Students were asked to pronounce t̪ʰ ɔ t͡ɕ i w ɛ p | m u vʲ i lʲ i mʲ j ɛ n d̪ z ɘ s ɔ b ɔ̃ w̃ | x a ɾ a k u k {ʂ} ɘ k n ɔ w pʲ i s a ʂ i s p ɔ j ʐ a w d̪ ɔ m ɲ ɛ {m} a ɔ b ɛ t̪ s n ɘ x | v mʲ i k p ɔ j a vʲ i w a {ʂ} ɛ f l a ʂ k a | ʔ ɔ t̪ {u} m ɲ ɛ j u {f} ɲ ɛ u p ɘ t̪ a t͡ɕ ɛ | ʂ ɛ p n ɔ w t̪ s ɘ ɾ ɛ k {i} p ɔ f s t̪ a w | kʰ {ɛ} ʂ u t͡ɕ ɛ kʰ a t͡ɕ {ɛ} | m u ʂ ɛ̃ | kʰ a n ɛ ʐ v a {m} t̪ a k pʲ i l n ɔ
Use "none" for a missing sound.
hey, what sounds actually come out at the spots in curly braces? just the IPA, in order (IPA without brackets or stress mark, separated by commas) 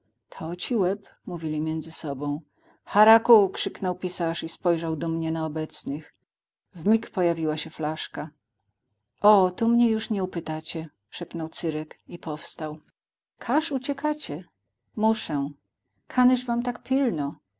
ʂ, n, ɕ, u, ʂ, i, a, ɛ, m